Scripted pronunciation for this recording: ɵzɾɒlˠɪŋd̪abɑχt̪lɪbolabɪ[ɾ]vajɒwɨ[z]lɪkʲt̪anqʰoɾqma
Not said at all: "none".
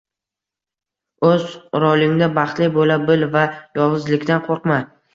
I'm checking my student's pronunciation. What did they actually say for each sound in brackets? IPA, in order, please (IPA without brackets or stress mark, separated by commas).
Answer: l, z